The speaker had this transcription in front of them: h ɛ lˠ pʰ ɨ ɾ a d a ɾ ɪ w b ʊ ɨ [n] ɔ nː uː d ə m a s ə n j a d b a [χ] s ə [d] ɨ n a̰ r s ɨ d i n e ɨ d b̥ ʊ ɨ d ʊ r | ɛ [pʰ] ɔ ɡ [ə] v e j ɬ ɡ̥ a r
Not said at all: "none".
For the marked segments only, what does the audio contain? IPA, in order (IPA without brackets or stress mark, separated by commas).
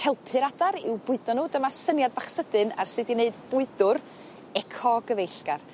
d, χ, d, kʰ, ə